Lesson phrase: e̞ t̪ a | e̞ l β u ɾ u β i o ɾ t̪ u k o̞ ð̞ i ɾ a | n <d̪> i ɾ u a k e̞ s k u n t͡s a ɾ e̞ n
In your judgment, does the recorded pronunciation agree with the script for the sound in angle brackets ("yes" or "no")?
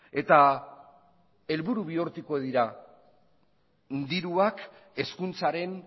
yes